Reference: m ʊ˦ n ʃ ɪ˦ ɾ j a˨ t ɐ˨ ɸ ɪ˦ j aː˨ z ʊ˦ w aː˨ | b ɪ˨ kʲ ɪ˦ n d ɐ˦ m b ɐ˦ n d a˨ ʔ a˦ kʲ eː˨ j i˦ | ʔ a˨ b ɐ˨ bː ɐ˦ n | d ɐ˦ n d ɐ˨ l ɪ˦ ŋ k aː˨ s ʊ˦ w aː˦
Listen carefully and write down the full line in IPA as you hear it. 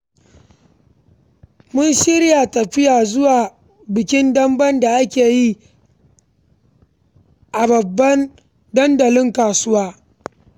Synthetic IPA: m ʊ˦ n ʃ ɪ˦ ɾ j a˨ t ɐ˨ ɸ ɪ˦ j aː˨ z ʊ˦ w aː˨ | b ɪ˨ kʲ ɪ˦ n d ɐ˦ m b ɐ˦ n d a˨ ʔ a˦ kʲ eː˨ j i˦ | ʔ a˨ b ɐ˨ bː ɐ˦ n | d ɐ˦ n d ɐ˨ l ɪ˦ ŋ k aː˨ s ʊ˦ w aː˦